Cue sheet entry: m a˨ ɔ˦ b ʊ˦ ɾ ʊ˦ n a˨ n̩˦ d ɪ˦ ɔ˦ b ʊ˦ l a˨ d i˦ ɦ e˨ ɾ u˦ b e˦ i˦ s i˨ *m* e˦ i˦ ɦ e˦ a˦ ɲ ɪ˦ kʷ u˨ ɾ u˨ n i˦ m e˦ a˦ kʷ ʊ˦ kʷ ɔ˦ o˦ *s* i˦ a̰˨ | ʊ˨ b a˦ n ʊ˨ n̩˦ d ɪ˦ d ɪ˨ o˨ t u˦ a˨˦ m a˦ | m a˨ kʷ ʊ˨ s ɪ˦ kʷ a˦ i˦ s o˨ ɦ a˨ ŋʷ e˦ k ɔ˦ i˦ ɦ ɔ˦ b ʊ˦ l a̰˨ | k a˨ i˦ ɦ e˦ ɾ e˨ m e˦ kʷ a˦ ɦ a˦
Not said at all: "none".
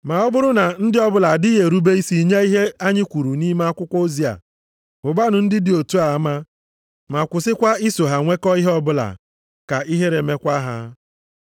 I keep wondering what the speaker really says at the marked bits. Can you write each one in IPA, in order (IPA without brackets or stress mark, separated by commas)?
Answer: ɲ, z